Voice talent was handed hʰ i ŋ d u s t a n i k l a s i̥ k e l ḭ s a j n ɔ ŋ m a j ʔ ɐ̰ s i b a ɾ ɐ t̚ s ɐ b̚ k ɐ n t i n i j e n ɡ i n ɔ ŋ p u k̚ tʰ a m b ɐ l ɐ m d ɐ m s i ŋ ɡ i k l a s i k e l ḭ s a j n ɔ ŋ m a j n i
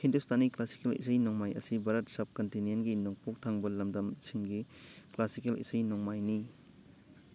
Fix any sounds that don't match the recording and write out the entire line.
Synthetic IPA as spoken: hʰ i n d u s t a n i k l a s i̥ k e l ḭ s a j n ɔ ŋ m a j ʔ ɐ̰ s i b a ɾ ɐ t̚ s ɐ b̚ k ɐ n t i n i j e n ɡ i n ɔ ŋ p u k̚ tʰ a ŋ b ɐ l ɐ m d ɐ m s i ŋ ɡ i k l a s i k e l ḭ s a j n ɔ ŋ m a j n i